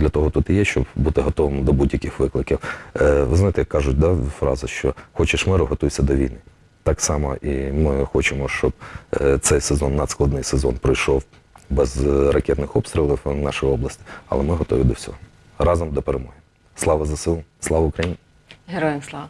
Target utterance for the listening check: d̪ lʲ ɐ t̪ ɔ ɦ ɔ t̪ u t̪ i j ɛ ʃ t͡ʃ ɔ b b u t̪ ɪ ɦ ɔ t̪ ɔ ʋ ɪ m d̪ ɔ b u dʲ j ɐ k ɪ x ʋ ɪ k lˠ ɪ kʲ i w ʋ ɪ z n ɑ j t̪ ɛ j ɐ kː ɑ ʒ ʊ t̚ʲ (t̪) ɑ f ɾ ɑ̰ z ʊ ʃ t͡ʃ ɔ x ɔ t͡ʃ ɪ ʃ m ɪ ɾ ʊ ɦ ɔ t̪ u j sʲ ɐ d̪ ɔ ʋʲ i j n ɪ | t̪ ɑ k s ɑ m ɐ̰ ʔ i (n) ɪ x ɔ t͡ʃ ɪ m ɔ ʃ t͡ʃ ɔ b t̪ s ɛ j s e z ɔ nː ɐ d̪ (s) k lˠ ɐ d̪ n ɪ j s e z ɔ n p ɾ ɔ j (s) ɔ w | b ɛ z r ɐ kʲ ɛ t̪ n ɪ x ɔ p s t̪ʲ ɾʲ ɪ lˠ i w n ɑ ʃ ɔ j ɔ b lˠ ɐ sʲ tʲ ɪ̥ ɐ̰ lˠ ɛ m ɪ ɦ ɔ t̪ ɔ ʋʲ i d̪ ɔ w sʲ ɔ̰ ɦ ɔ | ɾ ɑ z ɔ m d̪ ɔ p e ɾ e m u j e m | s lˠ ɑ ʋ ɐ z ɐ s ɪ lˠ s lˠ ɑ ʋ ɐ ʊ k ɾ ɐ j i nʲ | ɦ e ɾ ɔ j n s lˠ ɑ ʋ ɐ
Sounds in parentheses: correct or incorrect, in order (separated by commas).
incorrect, incorrect, correct, incorrect